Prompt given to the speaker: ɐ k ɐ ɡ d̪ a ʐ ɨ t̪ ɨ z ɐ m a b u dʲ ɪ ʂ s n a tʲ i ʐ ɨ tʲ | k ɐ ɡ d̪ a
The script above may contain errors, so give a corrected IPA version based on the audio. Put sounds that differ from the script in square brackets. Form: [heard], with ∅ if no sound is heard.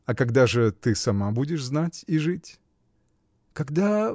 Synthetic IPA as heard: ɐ k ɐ ɡ d̪ a ʐ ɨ t̪ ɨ [s] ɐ m a b u dʲ ɪ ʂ [z] n a tʲ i ʐ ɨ tʲ | k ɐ ɡ d̪ a

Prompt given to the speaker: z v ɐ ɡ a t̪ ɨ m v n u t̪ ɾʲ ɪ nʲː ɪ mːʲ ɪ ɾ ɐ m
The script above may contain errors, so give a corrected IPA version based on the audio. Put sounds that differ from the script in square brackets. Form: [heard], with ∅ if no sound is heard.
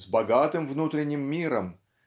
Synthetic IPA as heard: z [b] ɐ ɡ a t̪ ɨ m v n u t̪ ɾʲ ɪ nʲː ɪ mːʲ [i] ɾ [ə] m

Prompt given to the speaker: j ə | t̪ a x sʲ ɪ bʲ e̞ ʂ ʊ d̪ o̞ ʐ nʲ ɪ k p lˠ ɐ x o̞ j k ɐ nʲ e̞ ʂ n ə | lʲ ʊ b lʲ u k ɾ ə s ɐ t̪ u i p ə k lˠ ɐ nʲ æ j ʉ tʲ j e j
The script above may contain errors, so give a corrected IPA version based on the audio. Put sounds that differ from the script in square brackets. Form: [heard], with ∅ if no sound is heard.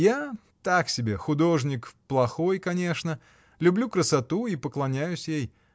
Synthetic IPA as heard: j [a] | t̪ a [k] sʲ ɪ bʲ e̞ [x] ʊ d̪ o̞ ʐ nʲ ɪ k p lˠ ɐ x o̞ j k ɐ nʲ e̞ ʂ n ə | lʲ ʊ b lʲ u k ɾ ə s ɐ t̪ u i p ə k lˠ ɐ nʲ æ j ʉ [sʲ] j e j

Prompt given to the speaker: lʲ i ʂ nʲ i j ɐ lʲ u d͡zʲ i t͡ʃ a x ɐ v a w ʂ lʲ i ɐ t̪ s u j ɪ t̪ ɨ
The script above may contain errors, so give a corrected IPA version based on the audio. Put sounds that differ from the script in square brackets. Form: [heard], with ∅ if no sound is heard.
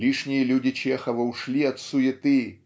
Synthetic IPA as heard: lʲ i ʂ nʲ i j ɐ lʲ u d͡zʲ i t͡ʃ [ɛ] x ɐ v [ɐ] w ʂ lʲ i ɐ t̪ s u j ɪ t̪ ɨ

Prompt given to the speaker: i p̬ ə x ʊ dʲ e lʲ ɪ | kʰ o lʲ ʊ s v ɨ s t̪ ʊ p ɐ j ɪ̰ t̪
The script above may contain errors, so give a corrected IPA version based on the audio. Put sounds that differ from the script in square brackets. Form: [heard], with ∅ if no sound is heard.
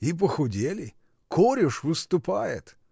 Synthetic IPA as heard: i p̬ ə x ʊ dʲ e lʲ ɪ | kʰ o [ɾʲ] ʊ [ʂ] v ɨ s t̪ ʊ p [a] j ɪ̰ t̪

